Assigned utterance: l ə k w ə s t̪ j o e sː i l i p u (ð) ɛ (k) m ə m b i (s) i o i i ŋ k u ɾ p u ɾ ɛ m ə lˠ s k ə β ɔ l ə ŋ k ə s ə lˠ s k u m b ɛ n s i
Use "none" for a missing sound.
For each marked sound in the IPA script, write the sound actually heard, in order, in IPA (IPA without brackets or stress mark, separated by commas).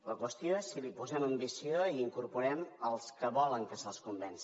z, none, s